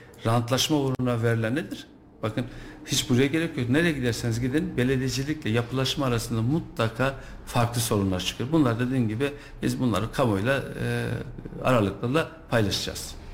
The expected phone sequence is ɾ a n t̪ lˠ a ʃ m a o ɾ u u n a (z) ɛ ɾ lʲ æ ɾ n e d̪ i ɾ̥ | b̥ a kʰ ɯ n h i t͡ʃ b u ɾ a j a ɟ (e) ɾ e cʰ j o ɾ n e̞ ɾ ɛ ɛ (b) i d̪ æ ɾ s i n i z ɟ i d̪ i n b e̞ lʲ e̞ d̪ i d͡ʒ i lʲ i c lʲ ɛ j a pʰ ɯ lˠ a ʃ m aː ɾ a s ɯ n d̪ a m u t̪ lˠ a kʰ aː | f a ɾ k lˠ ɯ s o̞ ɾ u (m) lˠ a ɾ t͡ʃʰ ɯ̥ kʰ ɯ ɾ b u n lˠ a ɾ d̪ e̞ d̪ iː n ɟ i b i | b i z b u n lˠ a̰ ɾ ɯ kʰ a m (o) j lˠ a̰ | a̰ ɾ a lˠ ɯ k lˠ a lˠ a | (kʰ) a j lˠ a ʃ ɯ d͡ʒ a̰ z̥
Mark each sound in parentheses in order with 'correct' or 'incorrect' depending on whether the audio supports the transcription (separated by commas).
incorrect, correct, incorrect, incorrect, correct, incorrect